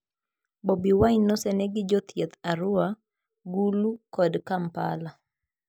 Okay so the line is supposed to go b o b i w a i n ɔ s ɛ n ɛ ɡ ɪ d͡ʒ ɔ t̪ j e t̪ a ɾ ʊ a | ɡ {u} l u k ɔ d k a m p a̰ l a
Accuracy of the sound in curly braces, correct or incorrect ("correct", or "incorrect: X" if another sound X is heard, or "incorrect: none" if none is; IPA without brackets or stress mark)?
correct